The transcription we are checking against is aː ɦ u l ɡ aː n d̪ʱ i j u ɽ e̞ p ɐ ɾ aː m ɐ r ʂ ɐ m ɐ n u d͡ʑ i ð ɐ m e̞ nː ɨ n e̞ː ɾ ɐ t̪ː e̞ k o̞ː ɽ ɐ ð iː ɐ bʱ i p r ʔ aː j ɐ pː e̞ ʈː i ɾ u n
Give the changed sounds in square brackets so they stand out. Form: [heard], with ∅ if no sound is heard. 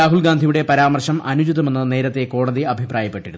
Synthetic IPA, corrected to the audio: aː ɦ u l ɡ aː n d̪ʱ i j u ɽ e̞ p ɐ ɾ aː m ɐ r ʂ ɐ m ɐ n u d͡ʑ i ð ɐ m e̞ nː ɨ n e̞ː ɾ ɐ t̪ː e̞ k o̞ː ɽ ɐ ð [i] ɐ bʱ i p r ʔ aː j ɐ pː e̞ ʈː i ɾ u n